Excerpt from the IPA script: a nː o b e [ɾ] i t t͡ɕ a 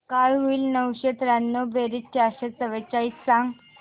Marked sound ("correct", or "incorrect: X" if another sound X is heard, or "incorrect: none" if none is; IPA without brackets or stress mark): correct